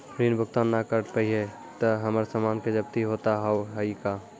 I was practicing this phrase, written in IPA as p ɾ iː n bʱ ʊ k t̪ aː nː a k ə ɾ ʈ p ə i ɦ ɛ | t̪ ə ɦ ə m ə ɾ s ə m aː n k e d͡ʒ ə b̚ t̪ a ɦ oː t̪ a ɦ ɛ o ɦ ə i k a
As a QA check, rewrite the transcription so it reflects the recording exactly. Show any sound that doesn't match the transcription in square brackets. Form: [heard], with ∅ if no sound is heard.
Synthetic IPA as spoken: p ɾ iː n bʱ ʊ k t̪ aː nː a k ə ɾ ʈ p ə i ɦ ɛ | t̪ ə ɦ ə m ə ɾ s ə m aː n k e d͡ʒ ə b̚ t̪ [i] ɦ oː t̪ a ɦ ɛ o ɦ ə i k a